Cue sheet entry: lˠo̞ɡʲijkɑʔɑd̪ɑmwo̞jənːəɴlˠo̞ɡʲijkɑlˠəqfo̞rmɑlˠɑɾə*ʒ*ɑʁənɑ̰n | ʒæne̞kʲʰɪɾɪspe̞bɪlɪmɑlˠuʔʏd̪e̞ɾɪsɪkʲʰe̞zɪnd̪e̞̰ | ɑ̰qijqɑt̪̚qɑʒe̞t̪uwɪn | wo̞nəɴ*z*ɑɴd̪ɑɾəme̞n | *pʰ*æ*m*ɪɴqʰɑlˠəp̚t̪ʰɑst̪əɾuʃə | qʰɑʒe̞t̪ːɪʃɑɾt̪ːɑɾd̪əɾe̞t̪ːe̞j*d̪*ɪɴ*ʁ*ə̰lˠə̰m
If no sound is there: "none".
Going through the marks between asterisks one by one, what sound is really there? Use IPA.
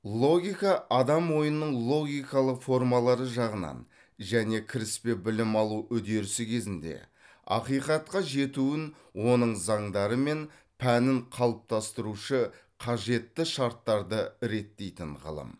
ʒ, z, pʰ, n, t̪, ʁ

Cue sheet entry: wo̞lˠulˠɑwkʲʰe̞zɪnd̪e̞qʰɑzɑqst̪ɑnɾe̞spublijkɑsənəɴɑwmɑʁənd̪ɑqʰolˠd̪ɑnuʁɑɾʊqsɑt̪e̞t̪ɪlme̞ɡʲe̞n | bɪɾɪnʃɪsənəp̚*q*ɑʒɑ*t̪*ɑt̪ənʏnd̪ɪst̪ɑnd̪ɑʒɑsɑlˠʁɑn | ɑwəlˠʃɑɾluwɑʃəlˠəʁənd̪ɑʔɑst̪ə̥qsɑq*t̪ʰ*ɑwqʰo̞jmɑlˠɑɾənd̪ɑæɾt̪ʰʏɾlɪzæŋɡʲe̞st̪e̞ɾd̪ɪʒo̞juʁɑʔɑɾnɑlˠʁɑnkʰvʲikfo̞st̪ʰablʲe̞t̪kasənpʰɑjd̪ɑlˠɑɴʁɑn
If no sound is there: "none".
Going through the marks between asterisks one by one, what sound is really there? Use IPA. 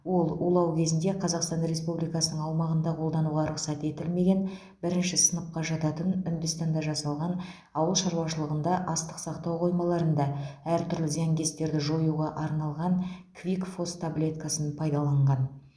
q, t̪, t̪

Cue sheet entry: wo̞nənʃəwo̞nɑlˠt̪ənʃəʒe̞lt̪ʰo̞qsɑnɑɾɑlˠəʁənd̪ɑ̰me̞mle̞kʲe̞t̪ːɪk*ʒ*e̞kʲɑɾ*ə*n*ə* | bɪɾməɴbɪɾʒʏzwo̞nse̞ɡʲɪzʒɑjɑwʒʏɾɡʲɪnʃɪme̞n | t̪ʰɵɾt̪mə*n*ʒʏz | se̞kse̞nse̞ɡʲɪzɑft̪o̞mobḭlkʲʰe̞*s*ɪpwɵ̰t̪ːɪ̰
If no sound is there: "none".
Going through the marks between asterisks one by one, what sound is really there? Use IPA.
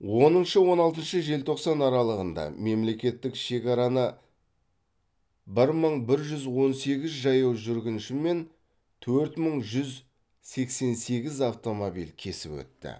ʃ, ɑ, ə, ɴ, s

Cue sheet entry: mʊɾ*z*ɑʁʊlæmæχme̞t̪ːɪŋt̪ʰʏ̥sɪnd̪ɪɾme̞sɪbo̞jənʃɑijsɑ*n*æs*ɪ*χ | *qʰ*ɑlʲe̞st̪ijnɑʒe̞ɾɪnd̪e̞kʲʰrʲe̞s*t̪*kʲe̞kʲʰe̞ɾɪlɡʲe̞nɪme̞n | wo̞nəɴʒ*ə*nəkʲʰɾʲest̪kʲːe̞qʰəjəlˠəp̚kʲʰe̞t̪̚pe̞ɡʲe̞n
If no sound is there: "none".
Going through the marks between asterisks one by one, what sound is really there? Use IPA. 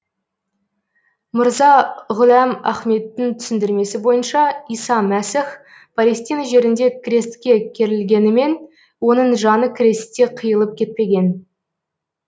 z, m, ɪ, pʰ, t̪, ɑ

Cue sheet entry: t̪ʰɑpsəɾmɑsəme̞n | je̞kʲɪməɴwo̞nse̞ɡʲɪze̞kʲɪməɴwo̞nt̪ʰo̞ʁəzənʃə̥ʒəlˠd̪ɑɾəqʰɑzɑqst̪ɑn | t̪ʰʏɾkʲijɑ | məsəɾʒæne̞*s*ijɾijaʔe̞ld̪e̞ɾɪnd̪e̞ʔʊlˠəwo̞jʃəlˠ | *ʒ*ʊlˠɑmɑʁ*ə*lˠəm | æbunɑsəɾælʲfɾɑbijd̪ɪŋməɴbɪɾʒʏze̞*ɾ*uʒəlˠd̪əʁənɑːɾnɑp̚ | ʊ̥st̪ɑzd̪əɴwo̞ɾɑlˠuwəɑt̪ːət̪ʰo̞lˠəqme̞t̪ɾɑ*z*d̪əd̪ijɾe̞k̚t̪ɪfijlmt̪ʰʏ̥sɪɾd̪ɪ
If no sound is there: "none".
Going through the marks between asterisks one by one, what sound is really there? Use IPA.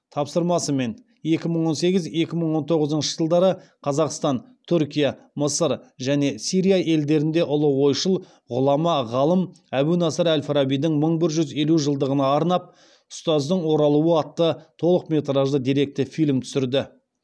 s, ʁ, ɑ, l, ʒ

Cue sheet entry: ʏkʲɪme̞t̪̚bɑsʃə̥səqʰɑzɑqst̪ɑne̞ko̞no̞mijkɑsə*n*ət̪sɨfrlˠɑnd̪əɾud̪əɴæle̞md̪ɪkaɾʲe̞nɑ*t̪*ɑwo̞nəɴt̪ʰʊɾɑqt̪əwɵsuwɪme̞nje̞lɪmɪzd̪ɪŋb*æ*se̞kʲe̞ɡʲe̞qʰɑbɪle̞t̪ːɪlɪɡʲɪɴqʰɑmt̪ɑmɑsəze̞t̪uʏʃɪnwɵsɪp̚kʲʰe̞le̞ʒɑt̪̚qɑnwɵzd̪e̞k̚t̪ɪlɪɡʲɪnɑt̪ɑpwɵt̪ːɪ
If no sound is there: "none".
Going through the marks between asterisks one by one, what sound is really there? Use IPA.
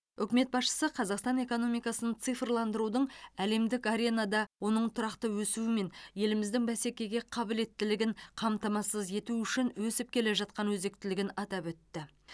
n, d̪, æ

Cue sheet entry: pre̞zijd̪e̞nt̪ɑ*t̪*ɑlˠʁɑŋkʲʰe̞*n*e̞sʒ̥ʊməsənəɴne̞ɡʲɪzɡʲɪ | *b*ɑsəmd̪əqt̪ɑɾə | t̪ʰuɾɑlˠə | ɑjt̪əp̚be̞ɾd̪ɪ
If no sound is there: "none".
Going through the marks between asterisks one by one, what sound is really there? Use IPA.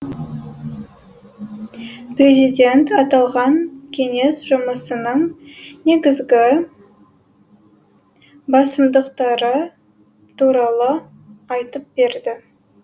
t̪, ŋ, b

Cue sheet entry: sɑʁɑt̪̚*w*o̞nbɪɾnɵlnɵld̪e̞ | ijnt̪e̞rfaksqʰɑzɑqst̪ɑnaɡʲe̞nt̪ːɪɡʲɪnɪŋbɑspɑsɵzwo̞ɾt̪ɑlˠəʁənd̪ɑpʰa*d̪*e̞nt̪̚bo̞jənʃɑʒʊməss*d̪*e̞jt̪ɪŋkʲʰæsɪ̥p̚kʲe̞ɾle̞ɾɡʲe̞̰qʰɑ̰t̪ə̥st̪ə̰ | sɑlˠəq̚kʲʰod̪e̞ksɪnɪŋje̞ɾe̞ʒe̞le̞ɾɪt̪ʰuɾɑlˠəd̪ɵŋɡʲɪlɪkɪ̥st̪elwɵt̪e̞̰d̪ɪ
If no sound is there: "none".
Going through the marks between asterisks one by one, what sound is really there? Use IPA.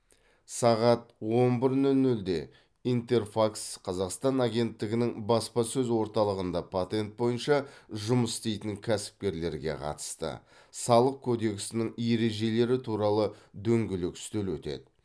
w, t̪, t̪

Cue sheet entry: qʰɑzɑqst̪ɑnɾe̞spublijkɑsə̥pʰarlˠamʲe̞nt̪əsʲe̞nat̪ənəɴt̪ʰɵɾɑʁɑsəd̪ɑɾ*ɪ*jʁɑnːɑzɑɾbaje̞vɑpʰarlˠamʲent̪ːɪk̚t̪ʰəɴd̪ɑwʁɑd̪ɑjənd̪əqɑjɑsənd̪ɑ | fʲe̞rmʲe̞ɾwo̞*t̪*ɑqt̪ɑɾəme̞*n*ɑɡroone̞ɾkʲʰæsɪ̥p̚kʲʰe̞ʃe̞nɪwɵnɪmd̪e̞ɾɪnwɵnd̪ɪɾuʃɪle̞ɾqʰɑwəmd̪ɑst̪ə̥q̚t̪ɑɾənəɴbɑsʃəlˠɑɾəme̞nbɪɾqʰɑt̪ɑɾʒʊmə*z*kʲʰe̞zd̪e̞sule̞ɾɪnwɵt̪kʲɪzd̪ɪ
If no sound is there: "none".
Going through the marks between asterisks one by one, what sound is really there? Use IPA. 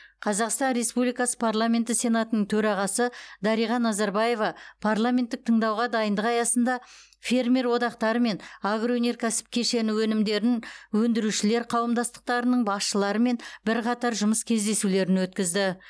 i, d̪, n, s

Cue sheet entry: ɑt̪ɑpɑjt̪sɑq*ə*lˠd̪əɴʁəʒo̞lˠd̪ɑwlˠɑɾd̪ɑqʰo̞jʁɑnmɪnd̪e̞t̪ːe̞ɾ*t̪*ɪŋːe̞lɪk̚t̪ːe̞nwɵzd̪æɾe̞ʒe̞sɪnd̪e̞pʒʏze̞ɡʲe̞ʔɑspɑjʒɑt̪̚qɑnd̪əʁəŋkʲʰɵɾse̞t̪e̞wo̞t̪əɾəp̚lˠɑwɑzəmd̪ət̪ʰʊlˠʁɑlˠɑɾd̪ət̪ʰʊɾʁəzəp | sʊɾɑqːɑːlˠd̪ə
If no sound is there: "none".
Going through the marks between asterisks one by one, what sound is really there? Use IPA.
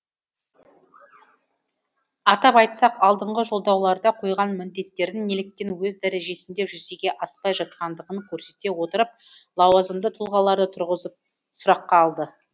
ɑ, d̪

